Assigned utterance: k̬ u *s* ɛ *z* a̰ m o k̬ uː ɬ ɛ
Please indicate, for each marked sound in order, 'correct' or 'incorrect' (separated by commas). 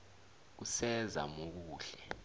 correct, correct